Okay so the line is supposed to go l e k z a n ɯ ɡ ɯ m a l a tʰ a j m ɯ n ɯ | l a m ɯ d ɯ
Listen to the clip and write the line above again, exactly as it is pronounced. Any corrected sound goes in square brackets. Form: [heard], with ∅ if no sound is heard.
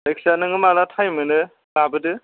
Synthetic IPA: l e k [s] a n ɯ [ŋ] ɯ m a l a tʰ a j m ɯ n ɯ | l a [b] ɯ d ɯ